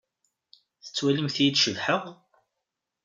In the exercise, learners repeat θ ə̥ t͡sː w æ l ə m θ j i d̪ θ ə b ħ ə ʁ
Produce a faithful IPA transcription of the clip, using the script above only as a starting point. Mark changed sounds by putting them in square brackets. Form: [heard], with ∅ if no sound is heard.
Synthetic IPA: θ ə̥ t͡sː w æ l ə m θ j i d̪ [ʃ] ə [v] ħ ə ʁ